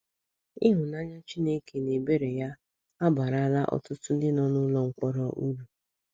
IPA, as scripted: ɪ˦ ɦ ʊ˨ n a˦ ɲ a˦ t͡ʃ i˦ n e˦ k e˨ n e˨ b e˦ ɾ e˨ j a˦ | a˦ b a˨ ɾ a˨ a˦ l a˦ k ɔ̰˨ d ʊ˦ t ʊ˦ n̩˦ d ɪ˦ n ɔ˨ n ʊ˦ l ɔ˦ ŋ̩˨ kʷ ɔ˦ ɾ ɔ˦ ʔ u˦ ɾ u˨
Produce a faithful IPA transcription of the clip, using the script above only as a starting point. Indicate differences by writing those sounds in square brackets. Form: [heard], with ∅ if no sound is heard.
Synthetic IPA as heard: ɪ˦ ɦ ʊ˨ n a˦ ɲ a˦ t͡ʃ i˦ n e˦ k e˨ n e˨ b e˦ ɾ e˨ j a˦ | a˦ b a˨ ɾ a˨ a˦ l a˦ [ʔ] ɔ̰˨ [t] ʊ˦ t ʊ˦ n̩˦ d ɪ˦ n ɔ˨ n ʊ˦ l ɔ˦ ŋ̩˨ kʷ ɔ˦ ɾ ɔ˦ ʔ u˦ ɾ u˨